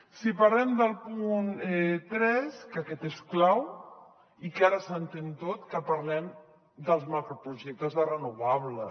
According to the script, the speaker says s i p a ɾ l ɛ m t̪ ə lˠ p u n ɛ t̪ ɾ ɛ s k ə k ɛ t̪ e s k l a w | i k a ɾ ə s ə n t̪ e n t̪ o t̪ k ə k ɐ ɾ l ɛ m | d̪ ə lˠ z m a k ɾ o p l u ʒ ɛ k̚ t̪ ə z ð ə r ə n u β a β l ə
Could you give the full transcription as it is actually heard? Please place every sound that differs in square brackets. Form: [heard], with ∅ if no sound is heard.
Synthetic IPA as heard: s i p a ɾ l ɛ m [d̪] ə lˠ p u n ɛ t̪ ɾ ɛ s k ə k ɛ t̪ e s k l a w | i k a ɾ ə s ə n t̪ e n t̪ o t̪ k ə [p] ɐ ɾ l ɛ m | d̪ ə lˠ z m a k ɾ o p [ɾ] u ʒ ɛ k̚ t̪ ə z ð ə r ə n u β a β l ə